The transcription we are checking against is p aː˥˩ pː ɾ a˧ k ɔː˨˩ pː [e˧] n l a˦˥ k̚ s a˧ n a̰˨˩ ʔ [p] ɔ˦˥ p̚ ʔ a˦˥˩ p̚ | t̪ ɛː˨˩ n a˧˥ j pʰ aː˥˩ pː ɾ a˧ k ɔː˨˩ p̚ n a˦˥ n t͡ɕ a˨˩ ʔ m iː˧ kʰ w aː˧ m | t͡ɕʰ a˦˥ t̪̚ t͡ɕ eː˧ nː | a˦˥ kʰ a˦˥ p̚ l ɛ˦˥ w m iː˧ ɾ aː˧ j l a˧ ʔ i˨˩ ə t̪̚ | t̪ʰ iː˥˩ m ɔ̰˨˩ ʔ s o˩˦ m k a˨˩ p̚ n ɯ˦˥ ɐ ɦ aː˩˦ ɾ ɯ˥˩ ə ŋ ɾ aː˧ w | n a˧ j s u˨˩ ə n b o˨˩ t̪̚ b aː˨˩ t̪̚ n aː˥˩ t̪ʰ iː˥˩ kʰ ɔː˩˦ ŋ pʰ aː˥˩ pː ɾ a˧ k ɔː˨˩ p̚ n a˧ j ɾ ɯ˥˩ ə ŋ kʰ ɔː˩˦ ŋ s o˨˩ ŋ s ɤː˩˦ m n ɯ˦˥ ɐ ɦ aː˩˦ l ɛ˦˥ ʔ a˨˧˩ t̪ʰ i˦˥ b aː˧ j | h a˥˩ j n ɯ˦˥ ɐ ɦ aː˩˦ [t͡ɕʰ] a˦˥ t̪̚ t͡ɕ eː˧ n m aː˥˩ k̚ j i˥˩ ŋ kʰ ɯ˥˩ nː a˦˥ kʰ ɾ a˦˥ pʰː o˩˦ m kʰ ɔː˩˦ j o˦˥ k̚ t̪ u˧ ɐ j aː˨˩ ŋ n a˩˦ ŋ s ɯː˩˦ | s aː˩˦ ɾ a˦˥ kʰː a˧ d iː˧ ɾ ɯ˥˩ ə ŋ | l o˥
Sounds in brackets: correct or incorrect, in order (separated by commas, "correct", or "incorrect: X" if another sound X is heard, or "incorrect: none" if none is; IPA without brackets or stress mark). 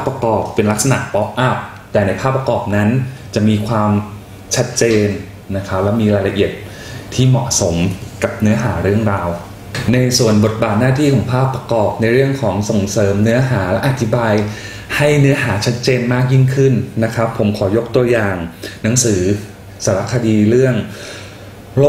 correct, correct, correct